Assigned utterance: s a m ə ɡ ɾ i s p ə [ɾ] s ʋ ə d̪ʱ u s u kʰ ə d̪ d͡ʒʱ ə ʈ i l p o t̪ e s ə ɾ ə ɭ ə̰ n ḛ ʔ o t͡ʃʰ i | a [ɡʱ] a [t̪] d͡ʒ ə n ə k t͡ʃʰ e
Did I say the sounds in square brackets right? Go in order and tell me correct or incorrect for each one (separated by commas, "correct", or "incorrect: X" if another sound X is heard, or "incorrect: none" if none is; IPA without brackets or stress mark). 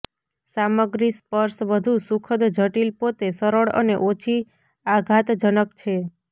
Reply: correct, correct, correct